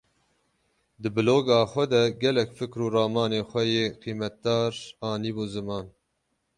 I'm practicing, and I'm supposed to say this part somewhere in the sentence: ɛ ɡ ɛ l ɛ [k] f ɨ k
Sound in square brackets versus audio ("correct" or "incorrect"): correct